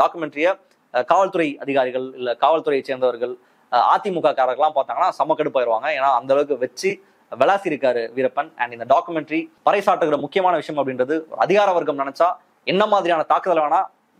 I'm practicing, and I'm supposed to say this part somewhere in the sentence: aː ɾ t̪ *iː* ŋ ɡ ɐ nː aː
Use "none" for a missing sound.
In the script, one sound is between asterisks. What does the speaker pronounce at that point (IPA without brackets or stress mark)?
aː